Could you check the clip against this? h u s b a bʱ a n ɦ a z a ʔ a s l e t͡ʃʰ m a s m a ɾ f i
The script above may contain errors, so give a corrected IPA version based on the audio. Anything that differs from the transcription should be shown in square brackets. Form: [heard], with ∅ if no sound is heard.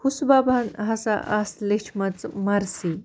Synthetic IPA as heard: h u s b a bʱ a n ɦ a [s] a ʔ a s l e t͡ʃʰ m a [t͡s] m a ɾ [s] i